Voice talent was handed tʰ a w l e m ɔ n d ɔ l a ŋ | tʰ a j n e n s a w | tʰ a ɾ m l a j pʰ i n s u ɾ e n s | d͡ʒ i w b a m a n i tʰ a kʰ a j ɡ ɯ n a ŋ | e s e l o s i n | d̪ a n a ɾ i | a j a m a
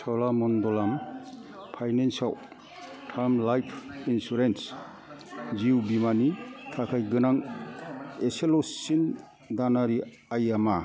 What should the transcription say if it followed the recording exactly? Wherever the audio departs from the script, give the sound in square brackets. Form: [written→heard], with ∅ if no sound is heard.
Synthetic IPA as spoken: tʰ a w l [e→a] m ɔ n d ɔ l a [ŋ→m] | [tʰ→pʰ] a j n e n s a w | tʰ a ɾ m l a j pʰ i n s u ɾ e n s | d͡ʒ i w b [a→i] m a n i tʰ a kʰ a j ɡ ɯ n a ŋ | e s e l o s i n | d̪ a n a ɾ i | a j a m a